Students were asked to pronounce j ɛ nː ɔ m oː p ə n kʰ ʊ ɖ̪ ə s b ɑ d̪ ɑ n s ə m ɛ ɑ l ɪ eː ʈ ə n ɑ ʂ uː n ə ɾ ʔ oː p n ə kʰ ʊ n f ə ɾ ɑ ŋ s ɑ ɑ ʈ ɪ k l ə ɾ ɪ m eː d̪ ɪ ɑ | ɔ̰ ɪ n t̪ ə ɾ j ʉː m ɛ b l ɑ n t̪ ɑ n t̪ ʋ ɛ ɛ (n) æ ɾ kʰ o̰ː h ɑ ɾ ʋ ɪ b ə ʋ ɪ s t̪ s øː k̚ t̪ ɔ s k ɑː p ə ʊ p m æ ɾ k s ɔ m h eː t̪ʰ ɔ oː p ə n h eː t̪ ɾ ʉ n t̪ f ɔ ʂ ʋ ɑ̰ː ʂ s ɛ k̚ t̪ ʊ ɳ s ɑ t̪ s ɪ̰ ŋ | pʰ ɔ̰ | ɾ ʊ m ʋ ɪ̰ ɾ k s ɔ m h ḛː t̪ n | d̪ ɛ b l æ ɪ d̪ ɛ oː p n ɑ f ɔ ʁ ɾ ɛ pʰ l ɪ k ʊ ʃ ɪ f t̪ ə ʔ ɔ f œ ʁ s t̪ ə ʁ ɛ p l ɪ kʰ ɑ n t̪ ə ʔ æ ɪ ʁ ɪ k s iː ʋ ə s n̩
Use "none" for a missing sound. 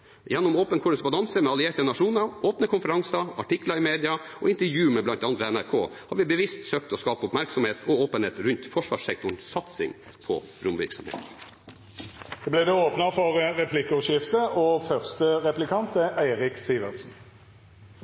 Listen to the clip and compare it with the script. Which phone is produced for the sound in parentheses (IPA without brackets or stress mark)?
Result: n